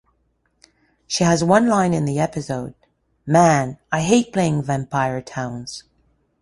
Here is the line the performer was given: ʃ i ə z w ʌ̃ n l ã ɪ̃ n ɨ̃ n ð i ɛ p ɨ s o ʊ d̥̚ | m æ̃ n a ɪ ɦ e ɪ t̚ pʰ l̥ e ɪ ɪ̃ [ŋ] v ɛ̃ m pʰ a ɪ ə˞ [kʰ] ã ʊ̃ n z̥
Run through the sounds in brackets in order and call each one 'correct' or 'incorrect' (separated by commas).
correct, incorrect